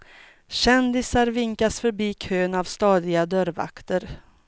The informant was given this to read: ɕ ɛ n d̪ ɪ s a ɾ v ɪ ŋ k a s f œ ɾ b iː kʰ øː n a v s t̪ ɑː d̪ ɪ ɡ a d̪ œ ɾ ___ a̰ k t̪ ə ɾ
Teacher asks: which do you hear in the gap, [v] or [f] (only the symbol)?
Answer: v